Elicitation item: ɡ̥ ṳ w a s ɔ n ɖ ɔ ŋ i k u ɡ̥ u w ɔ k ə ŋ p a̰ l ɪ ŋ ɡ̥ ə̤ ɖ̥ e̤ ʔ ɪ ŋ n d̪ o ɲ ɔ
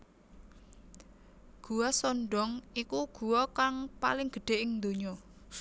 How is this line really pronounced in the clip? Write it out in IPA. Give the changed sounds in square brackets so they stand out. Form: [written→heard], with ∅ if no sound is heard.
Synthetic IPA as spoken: ɡ̥ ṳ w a s ɔ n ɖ ɔ ŋ i k u ɡ̥ u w ɔ k [ə→a] ŋ p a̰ l ɪ ŋ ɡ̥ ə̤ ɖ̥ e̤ ʔ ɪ ŋ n d̪ o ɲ ɔ